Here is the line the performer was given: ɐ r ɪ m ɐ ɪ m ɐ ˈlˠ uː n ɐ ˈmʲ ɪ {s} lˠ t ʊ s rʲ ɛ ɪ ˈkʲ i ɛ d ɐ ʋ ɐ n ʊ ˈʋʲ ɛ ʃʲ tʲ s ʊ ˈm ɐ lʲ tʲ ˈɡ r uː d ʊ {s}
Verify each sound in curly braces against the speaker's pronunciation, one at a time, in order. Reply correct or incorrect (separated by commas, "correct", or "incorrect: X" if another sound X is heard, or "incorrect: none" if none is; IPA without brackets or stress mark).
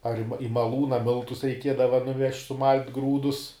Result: incorrect: none, correct